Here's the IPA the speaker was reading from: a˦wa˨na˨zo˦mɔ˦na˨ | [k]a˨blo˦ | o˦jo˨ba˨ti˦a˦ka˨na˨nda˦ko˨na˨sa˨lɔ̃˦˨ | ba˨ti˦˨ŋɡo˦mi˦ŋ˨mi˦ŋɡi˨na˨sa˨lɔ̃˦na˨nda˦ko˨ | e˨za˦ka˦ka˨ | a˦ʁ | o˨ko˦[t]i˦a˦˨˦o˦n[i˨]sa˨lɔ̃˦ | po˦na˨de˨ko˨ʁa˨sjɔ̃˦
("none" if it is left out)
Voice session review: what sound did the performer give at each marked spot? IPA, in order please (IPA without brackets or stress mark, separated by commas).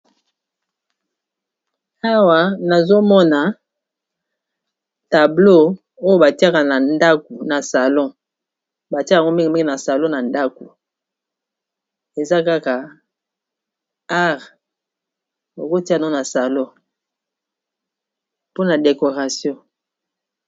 t, t, a˨